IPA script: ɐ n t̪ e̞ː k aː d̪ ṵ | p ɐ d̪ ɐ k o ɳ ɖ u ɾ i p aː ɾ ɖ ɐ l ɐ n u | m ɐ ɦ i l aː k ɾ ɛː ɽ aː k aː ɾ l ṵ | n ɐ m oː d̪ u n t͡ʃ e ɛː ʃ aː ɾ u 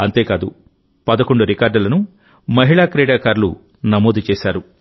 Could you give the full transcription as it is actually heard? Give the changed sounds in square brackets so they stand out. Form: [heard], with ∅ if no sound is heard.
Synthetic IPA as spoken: ɐ n t̪ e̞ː k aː d̪ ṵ | p ɐ d̪ ɐ k o ɳ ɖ u ɾ i [k] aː ɾ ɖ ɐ l ɐ n u | m ɐ ɦ i [ɭ] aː k ɾ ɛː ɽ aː k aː ɾ l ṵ | n ɐ m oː d̪ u [∅] t͡ʃ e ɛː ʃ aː ɾ u